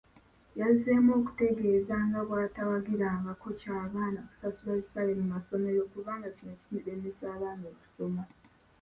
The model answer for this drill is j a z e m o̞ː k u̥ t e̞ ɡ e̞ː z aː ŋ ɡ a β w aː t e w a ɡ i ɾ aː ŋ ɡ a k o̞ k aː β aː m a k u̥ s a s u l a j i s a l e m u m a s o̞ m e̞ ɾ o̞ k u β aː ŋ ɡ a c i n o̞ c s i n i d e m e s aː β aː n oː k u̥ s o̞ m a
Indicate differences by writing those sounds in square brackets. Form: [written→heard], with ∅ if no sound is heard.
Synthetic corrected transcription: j a z e m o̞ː k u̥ t e̞ ɡ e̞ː z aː ŋ ɡ a β w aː t [e→a] w a ɡ i ɾ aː ŋ ɡ a k o̞ [k→c] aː β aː [m→n] a k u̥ s a s u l a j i s a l e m u m a s o̞ m e̞ ɾ o̞ k u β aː ŋ ɡ a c i n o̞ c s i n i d e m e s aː β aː n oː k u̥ s o̞ m a

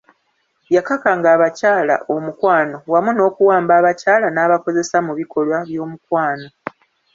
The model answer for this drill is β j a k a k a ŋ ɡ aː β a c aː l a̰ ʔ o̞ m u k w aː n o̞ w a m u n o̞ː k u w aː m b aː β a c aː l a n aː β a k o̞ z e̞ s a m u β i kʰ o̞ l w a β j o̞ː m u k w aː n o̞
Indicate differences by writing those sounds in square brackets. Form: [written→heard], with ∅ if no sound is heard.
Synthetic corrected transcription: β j a k a k a ŋ ɡ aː β a c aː l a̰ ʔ o̞ m u k w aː n o̞ w a m u n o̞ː k u w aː m b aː β a c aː l a n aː β a k o̞ z e̞ s a m u β i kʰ o̞ l w a β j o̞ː m u k w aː n o̞

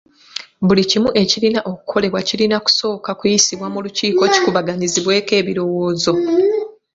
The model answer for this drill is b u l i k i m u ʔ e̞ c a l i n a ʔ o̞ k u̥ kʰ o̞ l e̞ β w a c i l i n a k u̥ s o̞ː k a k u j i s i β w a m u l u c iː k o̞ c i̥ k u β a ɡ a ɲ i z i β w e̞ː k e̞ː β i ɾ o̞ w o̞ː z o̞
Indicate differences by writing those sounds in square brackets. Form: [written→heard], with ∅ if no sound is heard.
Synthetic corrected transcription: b u l i [k→c] i m u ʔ e̞ c [a→i] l i n a ʔ o̞ k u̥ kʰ o̞ l e̞ β w a c i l i n a k u̥ s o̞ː k a k u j i s i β w a m u l u c iː k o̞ c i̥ k u β a ɡ a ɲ i z i β w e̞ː k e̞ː β i ɾ o̞ w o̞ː z o̞

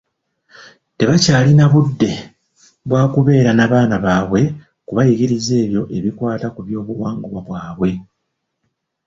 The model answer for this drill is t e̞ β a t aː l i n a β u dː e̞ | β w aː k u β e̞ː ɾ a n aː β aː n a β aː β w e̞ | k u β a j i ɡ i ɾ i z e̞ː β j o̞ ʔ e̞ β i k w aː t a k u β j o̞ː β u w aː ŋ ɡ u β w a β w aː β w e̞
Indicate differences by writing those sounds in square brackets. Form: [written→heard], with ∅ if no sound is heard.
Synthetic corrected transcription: t e̞ β a [t→c] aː l i n a β u dː e̞ | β w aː k u β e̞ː ɾ a n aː β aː n a β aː β w e̞ | k u β a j i ɡ i ɾ i z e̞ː β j o̞ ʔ e̞ β i k w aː t a k u β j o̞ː β u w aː ŋ ɡ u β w a β w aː β w e̞

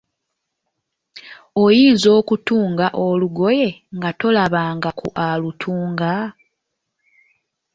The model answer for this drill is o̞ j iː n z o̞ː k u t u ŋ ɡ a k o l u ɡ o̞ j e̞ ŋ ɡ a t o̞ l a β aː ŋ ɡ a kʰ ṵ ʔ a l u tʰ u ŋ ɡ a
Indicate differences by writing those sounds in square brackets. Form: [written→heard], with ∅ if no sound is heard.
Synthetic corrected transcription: o̞ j iː n z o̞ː k u t [u→uː] ŋ ɡ a [k→ʔ] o l u ɡ o̞ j e̞ ŋ ɡ a t o̞ l a β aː ŋ ɡ a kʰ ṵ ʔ a l u tʰ [u→uː] ŋ ɡ a

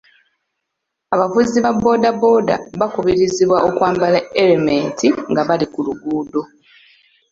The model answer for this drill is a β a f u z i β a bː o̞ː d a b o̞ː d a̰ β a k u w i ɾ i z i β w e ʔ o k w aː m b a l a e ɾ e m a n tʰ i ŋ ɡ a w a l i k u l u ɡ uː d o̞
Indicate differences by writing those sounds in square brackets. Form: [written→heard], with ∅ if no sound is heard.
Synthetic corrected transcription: a β a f u z i β a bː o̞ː d a b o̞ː d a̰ β a k u [w→β] i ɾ i z i β w [e→a] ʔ o k w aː m b a l a e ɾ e m [a→e] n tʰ i ŋ ɡ a [w→β] a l i k u l u ɡ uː d o̞

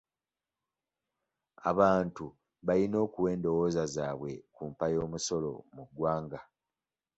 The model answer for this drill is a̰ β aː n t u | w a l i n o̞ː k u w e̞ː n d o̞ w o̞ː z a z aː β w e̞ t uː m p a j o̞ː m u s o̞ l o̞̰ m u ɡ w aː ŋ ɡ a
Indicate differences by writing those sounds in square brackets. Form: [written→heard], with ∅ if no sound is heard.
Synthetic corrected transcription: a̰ β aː n t u | [w→β] a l i n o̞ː k u w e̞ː n d o̞ w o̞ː z a z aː β w e̞ [t→k] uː m p a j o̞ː m u s o̞ l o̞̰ m u ɡ w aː ŋ ɡ a

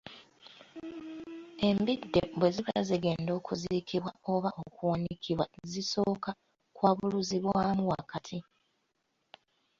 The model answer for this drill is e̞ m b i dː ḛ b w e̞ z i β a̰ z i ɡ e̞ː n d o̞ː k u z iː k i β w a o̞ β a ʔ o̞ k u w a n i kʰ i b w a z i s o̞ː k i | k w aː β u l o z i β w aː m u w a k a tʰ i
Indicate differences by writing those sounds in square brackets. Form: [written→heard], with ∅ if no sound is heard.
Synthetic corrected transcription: e̞ m b i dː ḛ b w e̞ z i β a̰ z i ɡ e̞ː n d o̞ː k u z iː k i β w a o̞ β a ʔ o̞ k u w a n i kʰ i [b→β] w a z i s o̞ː k [i→a] | k w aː β u l [o→u] z i β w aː m u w a k a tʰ i

